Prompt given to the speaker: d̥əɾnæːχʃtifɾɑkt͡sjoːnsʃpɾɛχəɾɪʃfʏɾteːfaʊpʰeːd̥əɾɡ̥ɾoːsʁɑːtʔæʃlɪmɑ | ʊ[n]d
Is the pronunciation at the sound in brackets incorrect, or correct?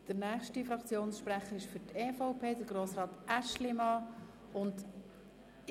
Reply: correct